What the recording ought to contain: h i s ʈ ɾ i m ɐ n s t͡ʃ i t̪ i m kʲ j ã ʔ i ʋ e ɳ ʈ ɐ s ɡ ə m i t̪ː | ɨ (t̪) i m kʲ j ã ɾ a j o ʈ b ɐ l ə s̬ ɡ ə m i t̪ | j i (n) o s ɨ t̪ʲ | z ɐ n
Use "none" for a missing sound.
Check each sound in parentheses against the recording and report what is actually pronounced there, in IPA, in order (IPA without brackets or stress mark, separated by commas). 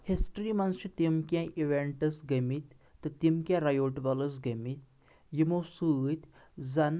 t̪, m